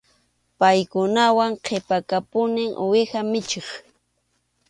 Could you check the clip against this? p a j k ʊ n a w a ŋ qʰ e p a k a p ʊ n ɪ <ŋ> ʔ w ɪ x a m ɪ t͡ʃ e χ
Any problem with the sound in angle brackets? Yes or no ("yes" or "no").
no